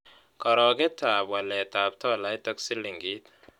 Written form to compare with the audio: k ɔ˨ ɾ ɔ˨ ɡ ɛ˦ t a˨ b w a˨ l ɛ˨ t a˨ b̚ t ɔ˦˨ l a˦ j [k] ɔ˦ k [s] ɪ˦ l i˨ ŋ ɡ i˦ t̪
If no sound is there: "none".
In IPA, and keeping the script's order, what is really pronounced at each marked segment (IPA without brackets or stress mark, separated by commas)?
t, s